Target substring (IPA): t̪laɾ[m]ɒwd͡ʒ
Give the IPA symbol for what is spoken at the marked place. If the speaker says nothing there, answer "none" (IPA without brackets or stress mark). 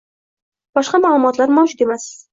m